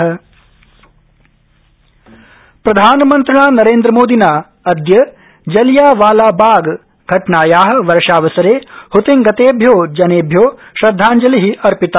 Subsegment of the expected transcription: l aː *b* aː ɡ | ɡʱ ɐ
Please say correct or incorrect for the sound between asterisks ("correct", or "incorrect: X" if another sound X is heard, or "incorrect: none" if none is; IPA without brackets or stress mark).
correct